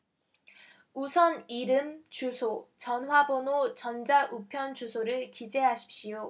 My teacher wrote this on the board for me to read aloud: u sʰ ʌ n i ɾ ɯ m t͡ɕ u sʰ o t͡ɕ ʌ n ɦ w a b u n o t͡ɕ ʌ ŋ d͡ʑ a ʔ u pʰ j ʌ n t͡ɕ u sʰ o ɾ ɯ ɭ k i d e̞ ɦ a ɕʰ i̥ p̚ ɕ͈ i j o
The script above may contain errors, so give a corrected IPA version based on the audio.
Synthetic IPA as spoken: u sʰ ʌ n i ɾ ɯ m t͡ɕ u sʰ o t͡ɕ ʌ n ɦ w a b o n o t͡ɕ ʌ n d͡ʑ a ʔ u pʰ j ʌ n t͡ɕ u sʰ o ɾ ɯ ɭ k i d͡ʑ e̞ ɦ a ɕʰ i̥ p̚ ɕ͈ i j o